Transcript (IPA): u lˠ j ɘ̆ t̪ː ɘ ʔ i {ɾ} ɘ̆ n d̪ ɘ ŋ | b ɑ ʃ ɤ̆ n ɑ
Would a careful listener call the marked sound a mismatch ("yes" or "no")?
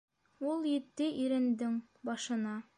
no